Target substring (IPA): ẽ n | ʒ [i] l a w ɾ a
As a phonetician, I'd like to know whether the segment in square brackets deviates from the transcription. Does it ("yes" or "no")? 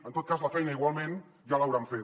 yes